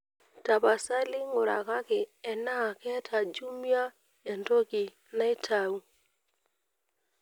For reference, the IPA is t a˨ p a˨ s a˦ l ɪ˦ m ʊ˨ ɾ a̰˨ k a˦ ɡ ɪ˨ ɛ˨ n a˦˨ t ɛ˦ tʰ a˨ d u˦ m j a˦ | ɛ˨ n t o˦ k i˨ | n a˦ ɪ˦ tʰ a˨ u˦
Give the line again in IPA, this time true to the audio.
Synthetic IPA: t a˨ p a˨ s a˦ l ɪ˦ ŋ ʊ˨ ɾ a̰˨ k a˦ k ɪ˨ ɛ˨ n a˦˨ k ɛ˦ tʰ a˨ d͡ʒ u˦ m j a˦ | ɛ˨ n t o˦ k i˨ | n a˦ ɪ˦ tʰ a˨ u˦